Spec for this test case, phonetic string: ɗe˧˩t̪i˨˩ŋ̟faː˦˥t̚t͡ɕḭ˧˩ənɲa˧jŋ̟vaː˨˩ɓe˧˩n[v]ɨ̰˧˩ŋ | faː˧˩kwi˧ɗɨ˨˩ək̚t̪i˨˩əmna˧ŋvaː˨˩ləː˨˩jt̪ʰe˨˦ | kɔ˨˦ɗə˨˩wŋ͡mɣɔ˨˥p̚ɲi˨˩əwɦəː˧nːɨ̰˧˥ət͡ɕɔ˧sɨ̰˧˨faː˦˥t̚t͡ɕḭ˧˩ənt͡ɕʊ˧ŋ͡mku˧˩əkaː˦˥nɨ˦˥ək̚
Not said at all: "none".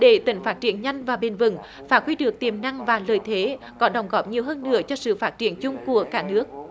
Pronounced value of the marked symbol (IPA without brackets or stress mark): v